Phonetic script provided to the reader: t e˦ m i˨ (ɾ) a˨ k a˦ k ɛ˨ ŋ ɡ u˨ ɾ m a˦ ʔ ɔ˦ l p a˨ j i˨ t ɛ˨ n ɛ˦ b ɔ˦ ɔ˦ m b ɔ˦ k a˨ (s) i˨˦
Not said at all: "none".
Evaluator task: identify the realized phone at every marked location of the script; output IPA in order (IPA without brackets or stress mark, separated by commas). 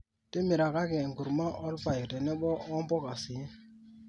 ɾ, s